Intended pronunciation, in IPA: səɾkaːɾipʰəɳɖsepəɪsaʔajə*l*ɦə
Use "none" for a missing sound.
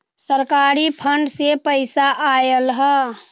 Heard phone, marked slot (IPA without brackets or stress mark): l